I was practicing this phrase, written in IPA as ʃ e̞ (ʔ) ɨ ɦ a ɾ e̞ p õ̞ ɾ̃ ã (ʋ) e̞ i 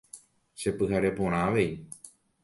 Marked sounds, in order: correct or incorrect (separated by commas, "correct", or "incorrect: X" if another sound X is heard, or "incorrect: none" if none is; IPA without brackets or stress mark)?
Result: incorrect: p, correct